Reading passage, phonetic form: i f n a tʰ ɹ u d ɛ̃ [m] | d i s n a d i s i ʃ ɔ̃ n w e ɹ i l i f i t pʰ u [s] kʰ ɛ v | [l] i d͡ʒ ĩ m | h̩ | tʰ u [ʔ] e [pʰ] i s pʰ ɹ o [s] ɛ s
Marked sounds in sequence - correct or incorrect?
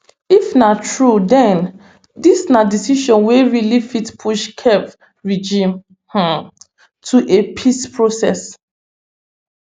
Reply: incorrect: n, incorrect: ʃ, incorrect: ɹ, correct, correct, correct

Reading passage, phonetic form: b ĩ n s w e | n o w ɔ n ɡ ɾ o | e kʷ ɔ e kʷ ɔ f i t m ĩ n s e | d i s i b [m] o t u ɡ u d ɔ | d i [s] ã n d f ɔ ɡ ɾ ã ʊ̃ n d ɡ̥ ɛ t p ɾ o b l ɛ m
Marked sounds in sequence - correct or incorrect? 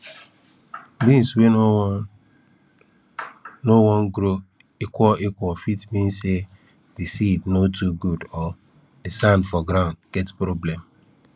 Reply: incorrect: n, correct

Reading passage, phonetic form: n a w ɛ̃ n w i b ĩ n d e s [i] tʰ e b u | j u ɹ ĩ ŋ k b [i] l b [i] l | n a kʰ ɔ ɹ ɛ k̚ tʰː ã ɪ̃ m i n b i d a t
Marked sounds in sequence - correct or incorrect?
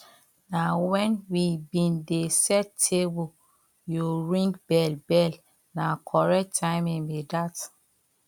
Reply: incorrect: ɛ, incorrect: ɛ, incorrect: ɛ

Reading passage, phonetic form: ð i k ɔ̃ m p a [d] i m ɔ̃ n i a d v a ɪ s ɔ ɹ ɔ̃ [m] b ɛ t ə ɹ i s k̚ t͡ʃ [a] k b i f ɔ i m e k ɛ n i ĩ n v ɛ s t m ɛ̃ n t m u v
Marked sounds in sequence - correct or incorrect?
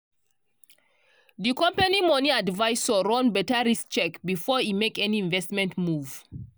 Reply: incorrect: n, incorrect: n, incorrect: ɛ

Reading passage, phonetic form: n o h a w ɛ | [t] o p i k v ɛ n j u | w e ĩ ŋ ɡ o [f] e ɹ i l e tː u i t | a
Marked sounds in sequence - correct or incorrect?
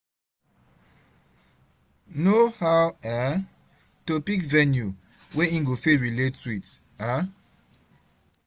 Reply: correct, correct

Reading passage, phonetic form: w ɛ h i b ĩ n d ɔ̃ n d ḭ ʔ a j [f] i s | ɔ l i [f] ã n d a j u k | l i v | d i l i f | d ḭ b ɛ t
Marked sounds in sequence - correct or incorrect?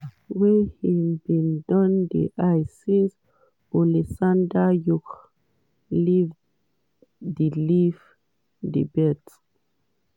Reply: incorrect: s, incorrect: s

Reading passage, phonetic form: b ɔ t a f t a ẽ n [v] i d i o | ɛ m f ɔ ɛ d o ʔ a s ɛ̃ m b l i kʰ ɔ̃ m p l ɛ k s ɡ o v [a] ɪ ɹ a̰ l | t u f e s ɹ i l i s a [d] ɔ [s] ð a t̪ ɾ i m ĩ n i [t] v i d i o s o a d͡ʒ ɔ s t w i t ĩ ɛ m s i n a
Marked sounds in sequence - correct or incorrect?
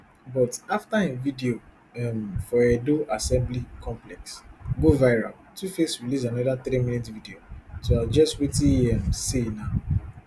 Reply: correct, correct, incorrect: n, incorrect: none, correct

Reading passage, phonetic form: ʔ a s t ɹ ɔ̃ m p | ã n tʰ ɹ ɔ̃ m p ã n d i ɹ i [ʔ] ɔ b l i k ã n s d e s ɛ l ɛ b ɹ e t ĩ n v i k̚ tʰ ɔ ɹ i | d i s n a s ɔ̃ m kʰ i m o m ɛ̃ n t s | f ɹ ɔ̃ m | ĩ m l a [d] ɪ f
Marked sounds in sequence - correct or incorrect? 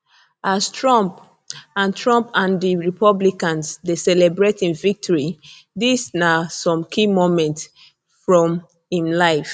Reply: incorrect: p, incorrect: none

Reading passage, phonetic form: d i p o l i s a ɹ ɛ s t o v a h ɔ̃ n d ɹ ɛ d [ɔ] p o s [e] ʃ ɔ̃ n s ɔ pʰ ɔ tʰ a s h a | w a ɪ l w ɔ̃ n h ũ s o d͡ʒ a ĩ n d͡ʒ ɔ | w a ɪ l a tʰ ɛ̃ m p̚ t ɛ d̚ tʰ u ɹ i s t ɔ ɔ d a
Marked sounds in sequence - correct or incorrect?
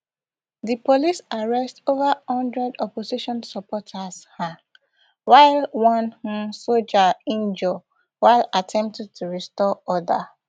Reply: correct, incorrect: i

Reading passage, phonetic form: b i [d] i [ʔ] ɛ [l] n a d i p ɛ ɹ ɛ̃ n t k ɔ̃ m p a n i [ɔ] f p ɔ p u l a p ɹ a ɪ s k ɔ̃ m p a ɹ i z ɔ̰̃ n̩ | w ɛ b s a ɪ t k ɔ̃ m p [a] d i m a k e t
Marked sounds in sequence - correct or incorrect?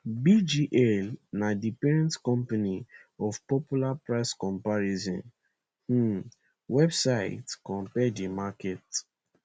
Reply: incorrect: d͡ʒ, correct, correct, correct, incorrect: ɛ

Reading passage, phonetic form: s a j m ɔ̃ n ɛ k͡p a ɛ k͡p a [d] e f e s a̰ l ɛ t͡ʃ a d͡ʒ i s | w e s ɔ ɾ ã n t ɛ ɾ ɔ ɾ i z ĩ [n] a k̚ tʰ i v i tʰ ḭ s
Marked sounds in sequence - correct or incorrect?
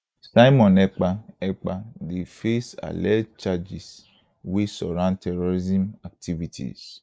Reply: correct, incorrect: m

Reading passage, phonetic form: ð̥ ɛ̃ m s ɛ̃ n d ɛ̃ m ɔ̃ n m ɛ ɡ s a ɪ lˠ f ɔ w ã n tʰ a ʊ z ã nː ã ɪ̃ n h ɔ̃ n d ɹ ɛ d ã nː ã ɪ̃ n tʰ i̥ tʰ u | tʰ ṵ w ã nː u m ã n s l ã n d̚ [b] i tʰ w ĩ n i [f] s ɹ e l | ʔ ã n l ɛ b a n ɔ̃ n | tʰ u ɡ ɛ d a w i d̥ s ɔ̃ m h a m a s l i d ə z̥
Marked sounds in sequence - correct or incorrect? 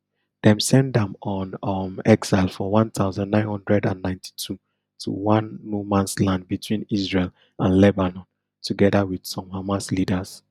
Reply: correct, incorrect: none

